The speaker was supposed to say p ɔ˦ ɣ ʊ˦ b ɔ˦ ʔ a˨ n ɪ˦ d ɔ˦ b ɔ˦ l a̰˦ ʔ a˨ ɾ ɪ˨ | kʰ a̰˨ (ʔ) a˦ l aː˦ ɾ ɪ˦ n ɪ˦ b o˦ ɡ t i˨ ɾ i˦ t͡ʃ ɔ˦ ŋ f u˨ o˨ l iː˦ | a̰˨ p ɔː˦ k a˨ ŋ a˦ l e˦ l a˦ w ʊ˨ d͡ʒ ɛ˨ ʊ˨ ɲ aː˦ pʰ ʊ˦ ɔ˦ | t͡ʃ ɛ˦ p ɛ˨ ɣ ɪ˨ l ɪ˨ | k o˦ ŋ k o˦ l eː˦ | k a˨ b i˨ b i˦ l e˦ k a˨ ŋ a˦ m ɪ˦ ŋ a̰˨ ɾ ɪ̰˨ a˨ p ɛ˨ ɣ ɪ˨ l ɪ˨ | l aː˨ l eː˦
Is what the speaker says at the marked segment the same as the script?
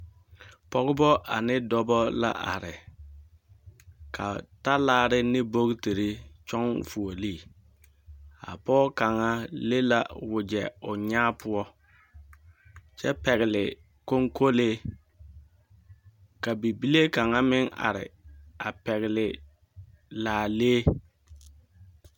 no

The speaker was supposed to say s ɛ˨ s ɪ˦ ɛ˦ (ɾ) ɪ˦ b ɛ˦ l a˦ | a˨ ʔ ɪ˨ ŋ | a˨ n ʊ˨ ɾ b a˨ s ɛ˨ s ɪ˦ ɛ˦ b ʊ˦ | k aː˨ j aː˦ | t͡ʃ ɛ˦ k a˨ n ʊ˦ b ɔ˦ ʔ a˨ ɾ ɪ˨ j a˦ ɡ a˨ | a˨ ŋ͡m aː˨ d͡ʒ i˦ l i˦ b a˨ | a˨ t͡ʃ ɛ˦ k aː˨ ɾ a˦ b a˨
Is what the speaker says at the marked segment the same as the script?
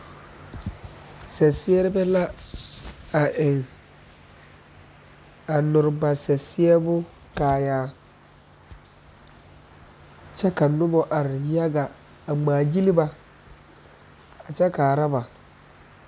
yes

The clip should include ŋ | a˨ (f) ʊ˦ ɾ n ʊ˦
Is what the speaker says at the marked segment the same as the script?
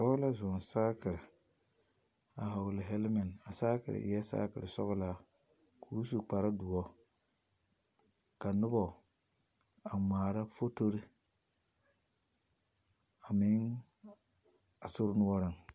no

